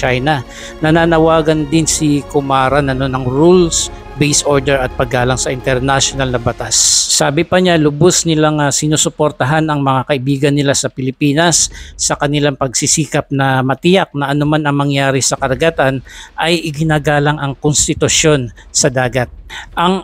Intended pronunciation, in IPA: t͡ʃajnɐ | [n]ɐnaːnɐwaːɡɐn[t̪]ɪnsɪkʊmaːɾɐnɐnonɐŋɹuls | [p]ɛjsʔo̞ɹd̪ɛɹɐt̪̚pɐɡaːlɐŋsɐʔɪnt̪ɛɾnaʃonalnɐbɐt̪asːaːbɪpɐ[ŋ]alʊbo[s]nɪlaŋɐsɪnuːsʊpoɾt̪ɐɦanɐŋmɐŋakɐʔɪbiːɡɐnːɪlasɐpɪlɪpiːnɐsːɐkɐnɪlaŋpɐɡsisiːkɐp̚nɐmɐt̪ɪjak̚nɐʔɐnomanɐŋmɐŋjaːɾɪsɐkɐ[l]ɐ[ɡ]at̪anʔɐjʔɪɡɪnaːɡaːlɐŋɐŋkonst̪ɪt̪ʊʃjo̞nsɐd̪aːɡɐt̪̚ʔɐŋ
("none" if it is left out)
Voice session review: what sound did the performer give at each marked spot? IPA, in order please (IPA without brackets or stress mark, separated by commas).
n, d̪, b, ɲ, s, ɾ, ɡ